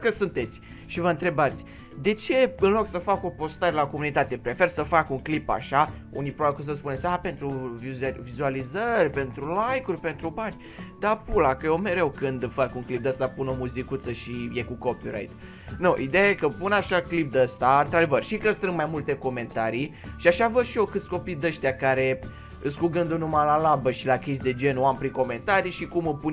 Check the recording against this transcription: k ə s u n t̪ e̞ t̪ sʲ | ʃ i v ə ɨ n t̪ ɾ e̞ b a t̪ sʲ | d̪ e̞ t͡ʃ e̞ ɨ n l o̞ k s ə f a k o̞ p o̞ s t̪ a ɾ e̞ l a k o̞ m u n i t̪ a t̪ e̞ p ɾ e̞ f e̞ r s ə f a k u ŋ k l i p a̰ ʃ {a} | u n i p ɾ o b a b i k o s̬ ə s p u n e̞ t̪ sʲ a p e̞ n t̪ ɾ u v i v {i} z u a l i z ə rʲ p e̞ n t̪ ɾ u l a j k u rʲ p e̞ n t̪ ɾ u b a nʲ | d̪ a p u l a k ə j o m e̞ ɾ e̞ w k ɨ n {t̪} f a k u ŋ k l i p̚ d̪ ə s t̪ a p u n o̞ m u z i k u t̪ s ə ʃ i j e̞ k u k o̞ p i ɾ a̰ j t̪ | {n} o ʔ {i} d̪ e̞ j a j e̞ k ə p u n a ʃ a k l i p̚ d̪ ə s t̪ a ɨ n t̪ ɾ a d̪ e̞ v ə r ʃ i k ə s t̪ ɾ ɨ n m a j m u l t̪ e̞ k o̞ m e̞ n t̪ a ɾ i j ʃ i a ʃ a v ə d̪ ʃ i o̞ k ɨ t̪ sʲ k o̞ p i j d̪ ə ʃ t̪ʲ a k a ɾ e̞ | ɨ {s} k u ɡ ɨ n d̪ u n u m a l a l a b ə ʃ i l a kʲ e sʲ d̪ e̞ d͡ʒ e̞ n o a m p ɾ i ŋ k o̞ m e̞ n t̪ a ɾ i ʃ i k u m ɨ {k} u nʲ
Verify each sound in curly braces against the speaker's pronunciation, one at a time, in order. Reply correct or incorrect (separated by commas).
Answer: correct, correct, incorrect, correct, correct, correct, incorrect